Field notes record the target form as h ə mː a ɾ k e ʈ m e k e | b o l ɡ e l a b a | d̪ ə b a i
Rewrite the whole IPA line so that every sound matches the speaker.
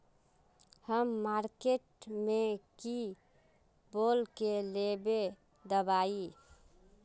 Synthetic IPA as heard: h ə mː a ɾ k e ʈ m e k i | b o l k e l e b e | d̪ ə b a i